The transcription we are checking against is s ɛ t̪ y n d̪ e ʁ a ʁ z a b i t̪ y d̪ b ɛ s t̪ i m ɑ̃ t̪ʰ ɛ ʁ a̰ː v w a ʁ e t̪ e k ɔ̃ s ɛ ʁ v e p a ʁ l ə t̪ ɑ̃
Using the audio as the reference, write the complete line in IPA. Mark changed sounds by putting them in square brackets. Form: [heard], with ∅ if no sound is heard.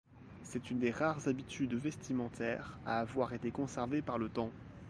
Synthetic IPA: s ɛ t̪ y n d̪ e ʁ a ʁ z a b i t̪ y d̪ [v] ɛ s t̪ i m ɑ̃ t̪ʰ ɛ ʁ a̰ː v w a ʁ e t̪ e k ɔ̃ s ɛ ʁ v e p a ʁ l ə t̪ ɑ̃